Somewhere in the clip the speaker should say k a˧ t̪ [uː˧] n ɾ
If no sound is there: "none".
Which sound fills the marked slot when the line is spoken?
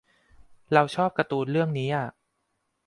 uː˧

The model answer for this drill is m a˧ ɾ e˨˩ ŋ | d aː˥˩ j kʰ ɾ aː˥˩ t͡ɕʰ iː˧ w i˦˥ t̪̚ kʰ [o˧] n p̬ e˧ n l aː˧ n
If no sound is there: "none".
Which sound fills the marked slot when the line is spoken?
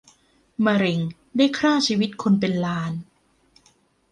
o˧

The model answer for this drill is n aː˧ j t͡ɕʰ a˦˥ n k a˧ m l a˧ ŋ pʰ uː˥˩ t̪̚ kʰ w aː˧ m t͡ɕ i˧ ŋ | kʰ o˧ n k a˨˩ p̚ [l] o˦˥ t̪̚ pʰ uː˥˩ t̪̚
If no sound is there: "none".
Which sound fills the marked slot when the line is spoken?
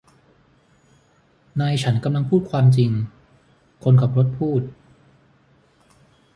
ɾ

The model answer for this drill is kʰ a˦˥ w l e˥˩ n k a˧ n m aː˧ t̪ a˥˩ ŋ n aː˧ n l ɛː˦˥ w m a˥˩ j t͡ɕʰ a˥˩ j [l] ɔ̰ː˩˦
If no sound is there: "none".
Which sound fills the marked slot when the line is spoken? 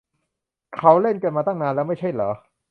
l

